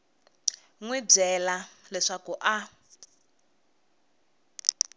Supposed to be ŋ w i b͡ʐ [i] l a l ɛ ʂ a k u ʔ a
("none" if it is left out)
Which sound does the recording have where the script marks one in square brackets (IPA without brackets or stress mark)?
ɛ